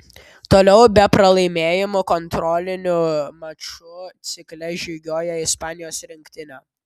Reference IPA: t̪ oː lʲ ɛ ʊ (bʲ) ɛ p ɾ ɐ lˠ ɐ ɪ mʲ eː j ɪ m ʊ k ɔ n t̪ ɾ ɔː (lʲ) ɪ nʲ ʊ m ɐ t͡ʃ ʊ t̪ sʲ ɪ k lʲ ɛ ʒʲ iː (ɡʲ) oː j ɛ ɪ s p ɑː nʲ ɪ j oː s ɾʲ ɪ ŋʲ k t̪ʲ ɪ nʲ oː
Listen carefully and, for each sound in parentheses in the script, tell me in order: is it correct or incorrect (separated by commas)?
correct, correct, correct